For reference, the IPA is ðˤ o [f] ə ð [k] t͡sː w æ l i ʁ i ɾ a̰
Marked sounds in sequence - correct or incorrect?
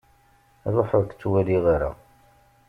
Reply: incorrect: ħ, correct

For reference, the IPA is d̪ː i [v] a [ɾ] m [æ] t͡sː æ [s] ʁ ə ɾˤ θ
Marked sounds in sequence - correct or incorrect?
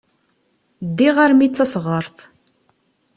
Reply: incorrect: ʁ, correct, incorrect: i, correct

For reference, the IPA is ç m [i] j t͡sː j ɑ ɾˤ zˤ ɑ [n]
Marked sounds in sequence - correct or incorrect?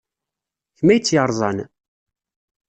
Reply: incorrect: æ, correct

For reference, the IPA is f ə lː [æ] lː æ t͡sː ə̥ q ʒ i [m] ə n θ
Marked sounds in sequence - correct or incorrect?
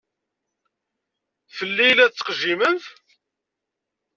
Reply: incorrect: i, correct

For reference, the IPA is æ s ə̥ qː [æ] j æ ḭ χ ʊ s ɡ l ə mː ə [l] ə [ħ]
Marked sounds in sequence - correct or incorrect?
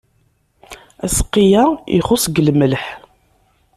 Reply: incorrect: i, correct, correct

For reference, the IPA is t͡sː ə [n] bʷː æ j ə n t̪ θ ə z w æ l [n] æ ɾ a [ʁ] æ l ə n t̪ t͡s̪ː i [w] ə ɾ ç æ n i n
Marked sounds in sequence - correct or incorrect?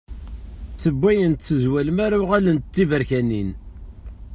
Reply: incorrect: none, incorrect: m, correct, incorrect: v

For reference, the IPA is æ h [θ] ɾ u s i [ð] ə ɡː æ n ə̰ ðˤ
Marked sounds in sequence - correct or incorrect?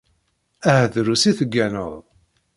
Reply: incorrect: ð, incorrect: θ

